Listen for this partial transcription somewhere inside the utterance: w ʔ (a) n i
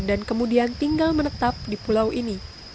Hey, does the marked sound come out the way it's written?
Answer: no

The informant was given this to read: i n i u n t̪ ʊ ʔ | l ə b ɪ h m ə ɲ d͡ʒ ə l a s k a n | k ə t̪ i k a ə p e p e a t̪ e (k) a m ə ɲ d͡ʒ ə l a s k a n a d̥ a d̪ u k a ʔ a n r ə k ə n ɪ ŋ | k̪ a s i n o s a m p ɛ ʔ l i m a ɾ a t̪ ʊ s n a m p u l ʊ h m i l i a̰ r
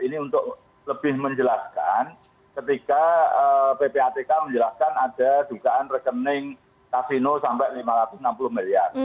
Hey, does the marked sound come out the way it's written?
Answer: yes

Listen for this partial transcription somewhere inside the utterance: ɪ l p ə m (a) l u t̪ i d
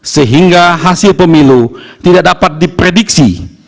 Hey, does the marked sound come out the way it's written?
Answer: no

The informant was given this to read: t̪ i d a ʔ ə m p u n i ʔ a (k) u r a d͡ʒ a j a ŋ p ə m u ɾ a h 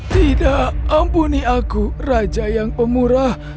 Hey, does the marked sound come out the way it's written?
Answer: yes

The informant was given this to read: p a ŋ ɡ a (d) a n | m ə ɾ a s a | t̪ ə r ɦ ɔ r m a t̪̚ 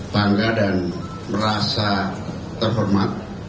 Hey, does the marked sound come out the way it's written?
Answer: yes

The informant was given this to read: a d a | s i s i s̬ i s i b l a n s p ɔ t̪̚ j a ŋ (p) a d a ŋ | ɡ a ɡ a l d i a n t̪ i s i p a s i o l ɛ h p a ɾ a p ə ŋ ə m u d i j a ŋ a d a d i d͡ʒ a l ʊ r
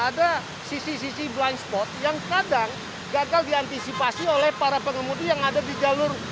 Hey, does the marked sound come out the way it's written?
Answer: no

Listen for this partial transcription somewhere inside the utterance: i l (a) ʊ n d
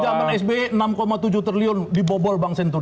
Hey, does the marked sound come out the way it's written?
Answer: no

